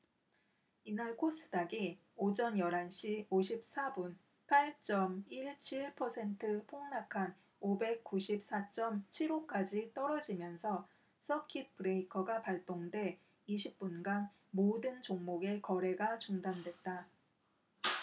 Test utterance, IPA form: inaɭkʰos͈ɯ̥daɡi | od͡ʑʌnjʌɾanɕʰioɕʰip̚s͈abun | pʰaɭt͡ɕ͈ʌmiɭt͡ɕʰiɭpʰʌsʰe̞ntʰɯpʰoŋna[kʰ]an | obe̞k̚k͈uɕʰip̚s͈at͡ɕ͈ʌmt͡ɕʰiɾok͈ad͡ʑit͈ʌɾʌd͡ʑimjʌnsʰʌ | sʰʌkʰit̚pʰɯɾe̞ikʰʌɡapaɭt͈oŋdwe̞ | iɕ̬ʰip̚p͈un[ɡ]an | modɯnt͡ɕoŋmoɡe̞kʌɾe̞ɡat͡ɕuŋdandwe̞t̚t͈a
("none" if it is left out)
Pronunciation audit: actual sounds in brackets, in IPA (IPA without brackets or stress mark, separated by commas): kʰ, ɡ